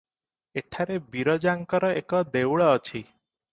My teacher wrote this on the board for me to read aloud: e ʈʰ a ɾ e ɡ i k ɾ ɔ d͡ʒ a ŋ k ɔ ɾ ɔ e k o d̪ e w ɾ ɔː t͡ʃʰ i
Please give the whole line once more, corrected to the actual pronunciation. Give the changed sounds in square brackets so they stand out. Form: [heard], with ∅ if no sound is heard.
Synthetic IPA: e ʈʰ a ɾ e [b] i [∅] ɾ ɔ d͡ʒ a ŋ k ɔ ɾ ɔ e k [ɔ] d̪ e w [ɭ] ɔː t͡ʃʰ i